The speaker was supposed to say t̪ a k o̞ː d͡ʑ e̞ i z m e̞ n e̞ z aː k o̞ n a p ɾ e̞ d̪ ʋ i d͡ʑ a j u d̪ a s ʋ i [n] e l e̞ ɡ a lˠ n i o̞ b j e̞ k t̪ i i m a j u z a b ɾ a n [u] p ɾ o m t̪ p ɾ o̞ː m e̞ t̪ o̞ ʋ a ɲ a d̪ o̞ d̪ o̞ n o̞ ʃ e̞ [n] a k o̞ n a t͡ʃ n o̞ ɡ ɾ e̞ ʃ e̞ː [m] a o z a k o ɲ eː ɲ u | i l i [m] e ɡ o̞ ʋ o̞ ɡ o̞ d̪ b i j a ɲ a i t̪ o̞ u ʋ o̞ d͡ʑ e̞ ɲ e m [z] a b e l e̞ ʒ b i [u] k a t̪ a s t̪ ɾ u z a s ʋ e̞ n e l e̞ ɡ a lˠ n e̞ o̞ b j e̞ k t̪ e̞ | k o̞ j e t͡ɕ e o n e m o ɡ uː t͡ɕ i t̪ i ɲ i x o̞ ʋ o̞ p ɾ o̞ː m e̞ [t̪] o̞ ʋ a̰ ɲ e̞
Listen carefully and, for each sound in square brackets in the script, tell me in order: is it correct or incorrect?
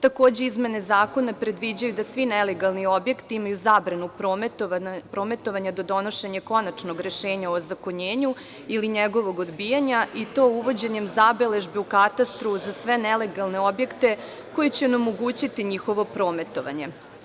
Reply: correct, correct, incorrect: ɲ, incorrect: ɲ, incorrect: ɲ, correct, correct, correct

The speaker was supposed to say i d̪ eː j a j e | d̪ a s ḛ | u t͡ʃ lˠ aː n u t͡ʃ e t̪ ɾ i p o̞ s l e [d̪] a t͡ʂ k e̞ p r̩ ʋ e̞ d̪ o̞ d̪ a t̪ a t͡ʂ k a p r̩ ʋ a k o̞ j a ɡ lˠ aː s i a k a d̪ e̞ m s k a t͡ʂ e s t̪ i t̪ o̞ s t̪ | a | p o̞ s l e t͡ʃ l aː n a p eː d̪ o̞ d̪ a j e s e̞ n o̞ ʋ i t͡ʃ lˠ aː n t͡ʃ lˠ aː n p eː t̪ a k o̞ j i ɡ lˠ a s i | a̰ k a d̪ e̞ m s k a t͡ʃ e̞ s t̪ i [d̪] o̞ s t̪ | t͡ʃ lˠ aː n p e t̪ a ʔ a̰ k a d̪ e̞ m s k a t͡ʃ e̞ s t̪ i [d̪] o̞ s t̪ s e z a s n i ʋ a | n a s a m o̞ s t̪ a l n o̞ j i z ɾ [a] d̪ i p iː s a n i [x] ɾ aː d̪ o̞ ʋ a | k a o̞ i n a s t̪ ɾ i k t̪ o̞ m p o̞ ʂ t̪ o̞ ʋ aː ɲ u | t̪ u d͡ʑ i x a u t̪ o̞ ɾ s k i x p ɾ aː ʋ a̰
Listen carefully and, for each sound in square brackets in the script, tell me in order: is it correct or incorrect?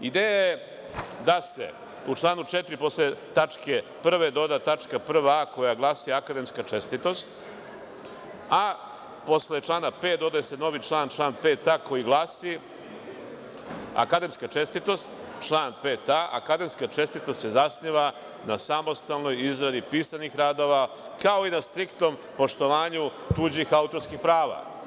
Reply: incorrect: t̪, incorrect: t̪, incorrect: t̪, correct, correct

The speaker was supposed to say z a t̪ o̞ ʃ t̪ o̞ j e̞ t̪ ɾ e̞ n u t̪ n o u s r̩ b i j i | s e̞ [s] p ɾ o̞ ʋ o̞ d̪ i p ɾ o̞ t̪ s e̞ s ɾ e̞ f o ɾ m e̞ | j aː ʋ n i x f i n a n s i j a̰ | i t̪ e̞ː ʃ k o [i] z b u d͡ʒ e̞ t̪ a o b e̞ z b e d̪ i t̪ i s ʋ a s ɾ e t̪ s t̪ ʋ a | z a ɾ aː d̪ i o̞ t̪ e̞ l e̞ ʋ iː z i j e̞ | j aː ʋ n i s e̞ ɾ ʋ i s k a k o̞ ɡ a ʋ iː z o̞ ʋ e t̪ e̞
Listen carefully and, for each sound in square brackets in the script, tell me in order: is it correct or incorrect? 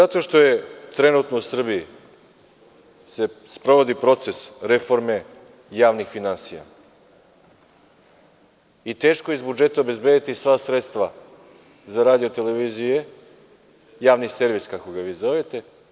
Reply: correct, correct

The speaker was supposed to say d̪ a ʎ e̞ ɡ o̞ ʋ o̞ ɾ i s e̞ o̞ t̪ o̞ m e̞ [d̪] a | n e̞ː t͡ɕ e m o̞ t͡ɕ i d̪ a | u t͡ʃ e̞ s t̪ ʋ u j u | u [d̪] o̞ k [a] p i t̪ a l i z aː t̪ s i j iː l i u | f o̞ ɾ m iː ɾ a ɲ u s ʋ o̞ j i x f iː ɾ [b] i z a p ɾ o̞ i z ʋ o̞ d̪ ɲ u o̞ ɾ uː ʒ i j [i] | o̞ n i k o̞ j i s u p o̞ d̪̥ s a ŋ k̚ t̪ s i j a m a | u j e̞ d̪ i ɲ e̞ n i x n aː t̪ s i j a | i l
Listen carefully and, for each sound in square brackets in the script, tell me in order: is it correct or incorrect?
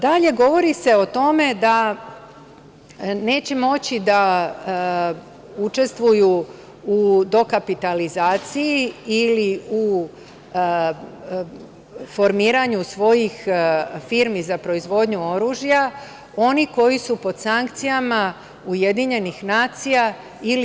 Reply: correct, correct, correct, incorrect: m, incorrect: a

